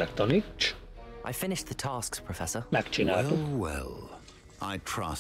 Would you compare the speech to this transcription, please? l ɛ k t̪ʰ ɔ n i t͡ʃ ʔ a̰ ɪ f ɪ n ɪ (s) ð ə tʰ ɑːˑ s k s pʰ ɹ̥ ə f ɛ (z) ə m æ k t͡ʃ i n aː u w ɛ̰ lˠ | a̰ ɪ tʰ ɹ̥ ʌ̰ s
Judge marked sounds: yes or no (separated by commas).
no, no